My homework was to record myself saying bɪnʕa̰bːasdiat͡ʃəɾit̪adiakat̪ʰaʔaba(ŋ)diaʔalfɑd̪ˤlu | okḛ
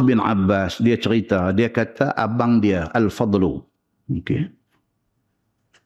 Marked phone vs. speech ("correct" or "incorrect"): correct